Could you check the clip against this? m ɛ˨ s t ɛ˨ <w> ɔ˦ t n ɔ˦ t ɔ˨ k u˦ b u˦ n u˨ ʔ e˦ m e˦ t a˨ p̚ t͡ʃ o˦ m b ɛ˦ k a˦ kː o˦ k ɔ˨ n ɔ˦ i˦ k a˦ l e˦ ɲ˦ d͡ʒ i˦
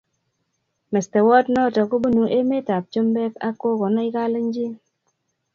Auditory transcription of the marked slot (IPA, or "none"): w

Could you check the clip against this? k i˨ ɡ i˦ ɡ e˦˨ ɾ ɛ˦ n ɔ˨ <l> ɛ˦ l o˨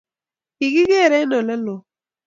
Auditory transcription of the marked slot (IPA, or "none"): l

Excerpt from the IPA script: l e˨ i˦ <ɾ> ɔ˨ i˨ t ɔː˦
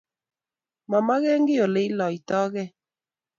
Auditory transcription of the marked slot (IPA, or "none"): l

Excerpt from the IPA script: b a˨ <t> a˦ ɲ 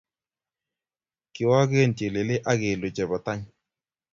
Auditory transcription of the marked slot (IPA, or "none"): t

